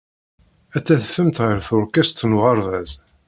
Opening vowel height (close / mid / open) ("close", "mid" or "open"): open